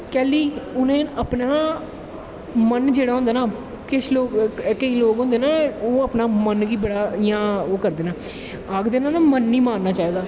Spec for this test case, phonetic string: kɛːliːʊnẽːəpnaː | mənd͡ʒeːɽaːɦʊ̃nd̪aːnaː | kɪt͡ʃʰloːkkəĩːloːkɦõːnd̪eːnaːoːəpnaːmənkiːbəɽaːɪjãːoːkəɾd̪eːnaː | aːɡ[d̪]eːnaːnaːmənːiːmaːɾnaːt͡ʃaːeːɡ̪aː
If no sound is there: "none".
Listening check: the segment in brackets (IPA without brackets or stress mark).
d̪